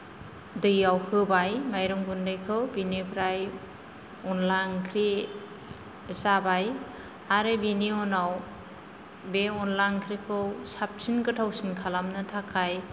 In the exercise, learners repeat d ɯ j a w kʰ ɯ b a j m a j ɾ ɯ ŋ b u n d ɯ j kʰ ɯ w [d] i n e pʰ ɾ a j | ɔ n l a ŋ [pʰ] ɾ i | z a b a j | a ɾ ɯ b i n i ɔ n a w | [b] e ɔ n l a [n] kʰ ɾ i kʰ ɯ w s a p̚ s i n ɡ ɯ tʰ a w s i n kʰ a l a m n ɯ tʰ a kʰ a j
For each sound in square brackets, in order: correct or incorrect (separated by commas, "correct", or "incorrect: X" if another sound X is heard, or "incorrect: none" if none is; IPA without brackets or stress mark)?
incorrect: b, incorrect: kʰ, correct, incorrect: ŋ